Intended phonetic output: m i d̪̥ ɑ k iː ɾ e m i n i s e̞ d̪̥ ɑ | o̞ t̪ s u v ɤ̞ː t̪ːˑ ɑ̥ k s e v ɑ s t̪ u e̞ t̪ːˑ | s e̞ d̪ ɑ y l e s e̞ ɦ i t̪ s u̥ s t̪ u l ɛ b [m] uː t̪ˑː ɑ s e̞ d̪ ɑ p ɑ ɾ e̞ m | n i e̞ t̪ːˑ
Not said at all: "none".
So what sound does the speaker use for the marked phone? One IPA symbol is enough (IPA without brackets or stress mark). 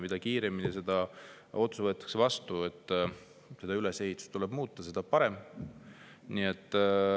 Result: m